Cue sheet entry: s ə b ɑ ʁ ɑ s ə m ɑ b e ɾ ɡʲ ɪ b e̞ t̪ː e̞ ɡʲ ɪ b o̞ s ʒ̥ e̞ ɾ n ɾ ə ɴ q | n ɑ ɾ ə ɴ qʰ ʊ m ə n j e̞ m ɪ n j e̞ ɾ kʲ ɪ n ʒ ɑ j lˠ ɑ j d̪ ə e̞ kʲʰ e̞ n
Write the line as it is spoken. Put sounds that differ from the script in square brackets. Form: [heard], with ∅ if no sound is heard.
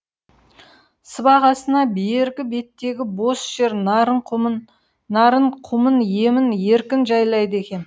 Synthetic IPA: s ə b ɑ ʁ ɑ s ə [n] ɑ b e ɾ ɡʲ ɪ b e̞ t̪ː e̞ ɡʲ ɪ b o̞ s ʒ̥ e̞ ɾ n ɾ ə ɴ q | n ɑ ɾ ə ɴ qʰ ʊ m ə n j e̞ m ɪ n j e̞ ɾ kʲ ɪ n ʒ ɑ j lˠ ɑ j d̪ ə e̞ [kʲ] e̞ n